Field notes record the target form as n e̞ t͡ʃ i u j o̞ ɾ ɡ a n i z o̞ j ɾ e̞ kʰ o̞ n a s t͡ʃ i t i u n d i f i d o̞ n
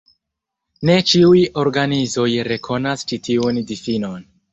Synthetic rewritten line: n e̞ t͡ʃ i u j o̞ ɾ ɡ a n i z o̞ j ɾ e̞ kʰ o̞ n a s t͡ʃ i t i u n d i f i n o̞ n

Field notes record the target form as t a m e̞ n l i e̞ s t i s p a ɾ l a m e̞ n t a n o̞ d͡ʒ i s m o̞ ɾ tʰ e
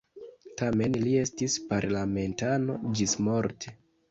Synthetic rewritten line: t a m e̞ n l i e̞ s t i s p a ɾ l a m e̞ n t a n o̞ d͡ʒ i s m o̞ ɾ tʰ e

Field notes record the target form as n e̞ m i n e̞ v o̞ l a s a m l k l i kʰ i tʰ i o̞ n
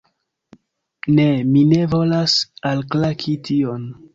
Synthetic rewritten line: n e̞ m i n e̞ v o̞ l a s a l k l a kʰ i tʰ i o̞ n

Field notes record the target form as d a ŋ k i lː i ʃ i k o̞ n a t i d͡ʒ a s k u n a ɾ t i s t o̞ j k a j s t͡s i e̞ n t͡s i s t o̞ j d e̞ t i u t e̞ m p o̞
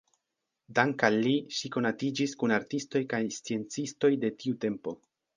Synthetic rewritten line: d a ŋ k a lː i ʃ i k o̞ n a t i d͡ʒ i s k u n a ɾ t i s t o̞ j k a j s t͡s i e̞ n t͡s i s t o̞ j d e̞ t i u t e̞ m p o̞

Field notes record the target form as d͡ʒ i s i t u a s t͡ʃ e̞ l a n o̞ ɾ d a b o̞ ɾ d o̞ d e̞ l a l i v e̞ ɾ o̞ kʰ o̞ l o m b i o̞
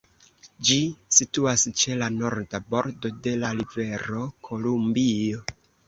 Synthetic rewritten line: d͡ʒ i s i t u a s t͡ʃ e̞ l a n o̞ ɾ d a b o̞ ɾ d o̞ d e̞ l a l i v e̞ ɾ o̞ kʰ o̞ l u m b i o̞

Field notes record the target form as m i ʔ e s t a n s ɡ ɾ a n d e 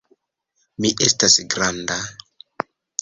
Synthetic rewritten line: m i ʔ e s t a s ɡ ɾ a n d a

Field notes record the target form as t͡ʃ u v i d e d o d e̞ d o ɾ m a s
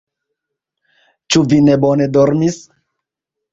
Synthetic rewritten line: t͡ʃ u v i n e b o n e̞ d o ɾ m i s

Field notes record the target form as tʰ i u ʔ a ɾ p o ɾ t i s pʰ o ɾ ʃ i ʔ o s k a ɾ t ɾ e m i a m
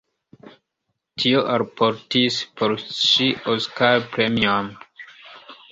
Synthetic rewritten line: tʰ i o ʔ a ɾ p o ɾ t i s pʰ o ɾ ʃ i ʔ o s k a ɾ p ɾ e m i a m

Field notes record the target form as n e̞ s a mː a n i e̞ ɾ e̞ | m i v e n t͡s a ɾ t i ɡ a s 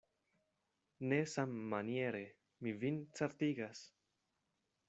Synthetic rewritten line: n e̞ s a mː a n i e̞ ɾ e̞ | m i v i n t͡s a ɾ t i ɡ a s

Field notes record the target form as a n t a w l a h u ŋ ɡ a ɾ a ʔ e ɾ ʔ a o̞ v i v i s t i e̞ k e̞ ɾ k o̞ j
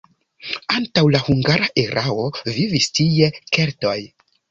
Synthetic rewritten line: a n t a w l a h u ŋ ɡ a ɾ a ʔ e ɾ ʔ a o̞ v i v i s t i e̞ k e̞ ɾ t o̞ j

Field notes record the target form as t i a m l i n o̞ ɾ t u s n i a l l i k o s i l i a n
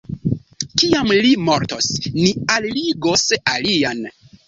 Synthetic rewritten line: k i a m l i m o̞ ɾ t o s n i a l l i ɡ o s a l i a n

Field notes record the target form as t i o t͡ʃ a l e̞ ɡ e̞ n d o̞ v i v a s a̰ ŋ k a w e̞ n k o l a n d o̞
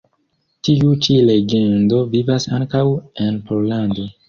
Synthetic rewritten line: t i u t͡ʃ i l e̞ ɡ e̞ n d o̞ v i v a s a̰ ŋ k a w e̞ n p o l a n d o̞

